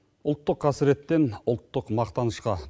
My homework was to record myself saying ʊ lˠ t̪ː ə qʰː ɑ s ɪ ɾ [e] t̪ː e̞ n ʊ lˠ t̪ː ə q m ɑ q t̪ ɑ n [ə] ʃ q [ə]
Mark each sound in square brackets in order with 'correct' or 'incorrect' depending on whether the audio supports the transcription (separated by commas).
correct, correct, incorrect